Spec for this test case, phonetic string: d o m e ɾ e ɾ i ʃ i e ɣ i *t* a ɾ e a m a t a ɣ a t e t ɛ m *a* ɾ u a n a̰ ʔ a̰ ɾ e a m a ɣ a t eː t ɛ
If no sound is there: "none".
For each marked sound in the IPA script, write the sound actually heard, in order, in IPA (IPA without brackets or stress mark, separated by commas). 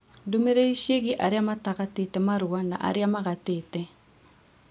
ʔ, a